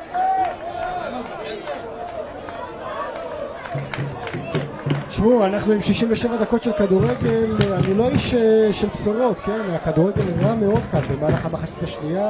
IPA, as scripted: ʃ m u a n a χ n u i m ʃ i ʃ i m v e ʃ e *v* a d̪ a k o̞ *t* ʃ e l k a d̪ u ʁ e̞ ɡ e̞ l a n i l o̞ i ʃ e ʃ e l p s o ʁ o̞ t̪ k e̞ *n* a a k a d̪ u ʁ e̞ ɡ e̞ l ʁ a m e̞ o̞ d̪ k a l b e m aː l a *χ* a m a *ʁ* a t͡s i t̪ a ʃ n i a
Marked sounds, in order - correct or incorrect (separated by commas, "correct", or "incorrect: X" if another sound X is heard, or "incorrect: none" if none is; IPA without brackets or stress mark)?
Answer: correct, correct, correct, correct, incorrect: χ